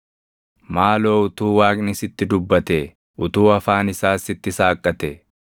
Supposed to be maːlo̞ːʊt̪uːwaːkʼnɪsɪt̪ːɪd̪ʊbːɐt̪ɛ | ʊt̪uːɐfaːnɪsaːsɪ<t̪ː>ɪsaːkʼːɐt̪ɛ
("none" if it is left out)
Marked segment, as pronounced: t̪ː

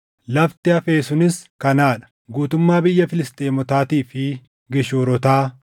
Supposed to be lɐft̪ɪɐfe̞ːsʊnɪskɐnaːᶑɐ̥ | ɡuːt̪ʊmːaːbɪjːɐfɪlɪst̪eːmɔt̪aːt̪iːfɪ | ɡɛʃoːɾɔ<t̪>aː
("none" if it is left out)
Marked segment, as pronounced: t̪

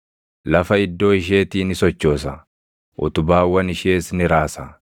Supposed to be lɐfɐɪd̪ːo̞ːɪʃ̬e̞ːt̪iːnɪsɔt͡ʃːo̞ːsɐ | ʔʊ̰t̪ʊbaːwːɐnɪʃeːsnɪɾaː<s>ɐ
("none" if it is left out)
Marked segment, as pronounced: s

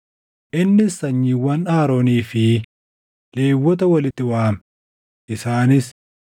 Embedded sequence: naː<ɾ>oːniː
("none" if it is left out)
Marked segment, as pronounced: ɾ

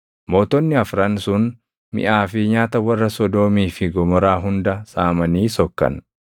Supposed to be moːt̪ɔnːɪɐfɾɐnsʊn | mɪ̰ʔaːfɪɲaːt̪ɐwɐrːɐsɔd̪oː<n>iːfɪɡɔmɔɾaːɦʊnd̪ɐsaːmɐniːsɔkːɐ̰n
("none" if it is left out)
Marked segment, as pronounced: m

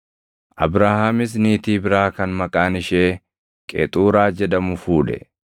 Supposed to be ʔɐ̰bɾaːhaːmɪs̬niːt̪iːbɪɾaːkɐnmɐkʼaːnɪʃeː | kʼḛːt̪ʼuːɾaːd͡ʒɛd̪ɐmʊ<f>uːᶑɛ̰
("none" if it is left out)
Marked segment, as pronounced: f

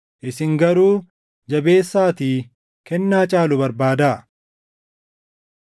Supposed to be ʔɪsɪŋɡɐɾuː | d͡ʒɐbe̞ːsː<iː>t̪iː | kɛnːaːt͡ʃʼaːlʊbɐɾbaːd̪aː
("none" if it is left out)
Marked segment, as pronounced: aː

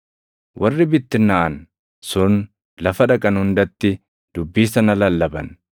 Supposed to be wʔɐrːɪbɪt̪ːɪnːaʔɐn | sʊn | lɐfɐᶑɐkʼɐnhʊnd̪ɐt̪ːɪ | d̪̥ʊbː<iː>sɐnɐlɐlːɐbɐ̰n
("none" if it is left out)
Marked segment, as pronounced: iː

